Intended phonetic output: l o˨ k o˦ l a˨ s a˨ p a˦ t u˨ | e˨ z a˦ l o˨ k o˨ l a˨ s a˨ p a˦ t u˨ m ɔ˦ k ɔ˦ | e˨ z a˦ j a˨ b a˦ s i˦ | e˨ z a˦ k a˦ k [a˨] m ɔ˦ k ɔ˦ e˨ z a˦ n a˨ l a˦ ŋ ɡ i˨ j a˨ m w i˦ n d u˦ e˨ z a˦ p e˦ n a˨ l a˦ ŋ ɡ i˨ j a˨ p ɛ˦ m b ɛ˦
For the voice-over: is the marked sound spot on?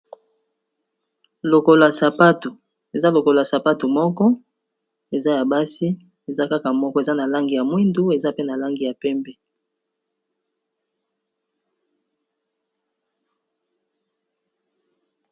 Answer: yes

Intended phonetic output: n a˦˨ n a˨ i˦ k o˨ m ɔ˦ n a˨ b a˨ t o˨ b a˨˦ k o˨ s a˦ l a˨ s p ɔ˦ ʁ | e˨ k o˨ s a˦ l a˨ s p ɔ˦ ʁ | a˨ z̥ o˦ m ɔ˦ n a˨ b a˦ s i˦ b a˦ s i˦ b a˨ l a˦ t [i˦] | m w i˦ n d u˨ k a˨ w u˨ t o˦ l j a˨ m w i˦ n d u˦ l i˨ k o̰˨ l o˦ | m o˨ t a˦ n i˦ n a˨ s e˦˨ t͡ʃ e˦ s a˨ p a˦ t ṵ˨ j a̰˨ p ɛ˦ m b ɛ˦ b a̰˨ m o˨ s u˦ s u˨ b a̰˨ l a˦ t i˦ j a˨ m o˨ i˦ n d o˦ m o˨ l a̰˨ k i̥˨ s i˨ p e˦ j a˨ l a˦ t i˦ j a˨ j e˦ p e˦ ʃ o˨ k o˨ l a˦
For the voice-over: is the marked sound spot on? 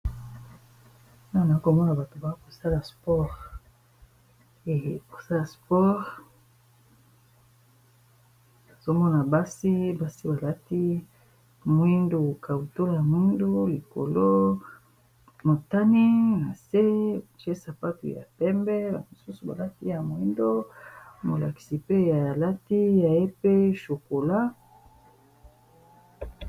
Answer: yes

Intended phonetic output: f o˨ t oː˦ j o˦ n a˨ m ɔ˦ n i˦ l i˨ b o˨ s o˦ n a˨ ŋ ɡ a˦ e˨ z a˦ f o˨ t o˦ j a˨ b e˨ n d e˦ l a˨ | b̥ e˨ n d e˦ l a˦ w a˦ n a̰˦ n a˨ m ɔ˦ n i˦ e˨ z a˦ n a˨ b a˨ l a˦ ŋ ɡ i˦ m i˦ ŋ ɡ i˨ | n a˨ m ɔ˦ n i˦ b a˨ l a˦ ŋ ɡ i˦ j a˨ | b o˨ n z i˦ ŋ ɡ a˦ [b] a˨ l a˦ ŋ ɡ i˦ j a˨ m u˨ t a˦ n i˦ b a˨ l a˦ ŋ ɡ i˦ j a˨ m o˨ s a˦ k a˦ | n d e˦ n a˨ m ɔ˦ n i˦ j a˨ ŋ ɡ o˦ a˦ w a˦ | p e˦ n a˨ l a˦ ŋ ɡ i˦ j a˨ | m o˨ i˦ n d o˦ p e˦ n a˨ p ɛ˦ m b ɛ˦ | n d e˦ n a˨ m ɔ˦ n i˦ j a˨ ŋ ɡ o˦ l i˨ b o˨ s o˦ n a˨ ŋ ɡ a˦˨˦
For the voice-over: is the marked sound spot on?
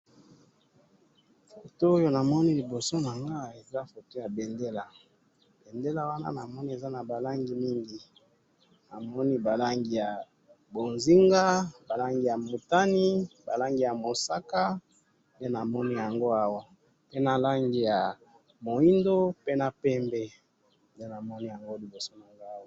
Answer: yes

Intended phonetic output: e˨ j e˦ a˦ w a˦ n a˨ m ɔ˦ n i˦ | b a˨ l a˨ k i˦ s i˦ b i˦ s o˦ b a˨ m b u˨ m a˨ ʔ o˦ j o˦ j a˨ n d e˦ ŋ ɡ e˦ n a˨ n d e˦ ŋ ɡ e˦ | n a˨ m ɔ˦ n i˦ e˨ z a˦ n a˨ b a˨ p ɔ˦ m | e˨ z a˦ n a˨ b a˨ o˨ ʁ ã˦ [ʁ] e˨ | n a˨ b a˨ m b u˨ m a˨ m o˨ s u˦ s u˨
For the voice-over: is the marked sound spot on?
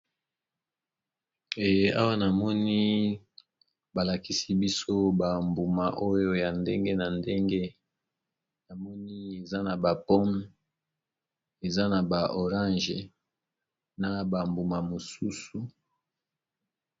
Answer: no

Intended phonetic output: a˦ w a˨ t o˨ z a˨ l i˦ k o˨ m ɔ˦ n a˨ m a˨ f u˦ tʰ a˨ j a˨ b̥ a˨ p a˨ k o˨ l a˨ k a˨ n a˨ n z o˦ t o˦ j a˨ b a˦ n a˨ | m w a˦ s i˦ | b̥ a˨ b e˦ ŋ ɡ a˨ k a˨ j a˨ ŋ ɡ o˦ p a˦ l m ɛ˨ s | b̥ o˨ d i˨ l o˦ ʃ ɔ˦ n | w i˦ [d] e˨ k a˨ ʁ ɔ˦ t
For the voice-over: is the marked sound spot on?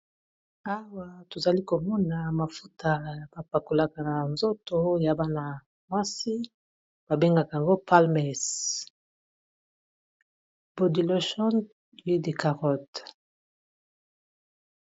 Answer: yes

